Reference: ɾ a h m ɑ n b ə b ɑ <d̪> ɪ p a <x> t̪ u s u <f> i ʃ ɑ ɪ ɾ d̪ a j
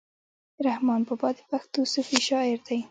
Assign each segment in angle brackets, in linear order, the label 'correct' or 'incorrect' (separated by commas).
correct, correct, correct